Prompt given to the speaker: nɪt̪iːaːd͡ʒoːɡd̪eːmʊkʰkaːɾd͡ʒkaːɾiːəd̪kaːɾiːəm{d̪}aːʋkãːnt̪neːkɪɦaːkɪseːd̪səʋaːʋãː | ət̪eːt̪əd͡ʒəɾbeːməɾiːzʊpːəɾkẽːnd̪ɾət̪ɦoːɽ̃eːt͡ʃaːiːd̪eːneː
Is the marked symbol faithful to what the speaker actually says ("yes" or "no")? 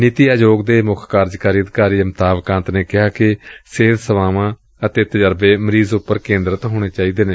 no